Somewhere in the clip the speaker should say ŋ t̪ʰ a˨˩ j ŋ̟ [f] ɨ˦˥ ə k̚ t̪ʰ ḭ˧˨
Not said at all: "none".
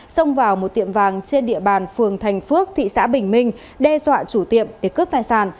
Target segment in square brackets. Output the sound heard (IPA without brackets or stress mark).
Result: f